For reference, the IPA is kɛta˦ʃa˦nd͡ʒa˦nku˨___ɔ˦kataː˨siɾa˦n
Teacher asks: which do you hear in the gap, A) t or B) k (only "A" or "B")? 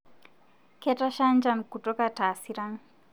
A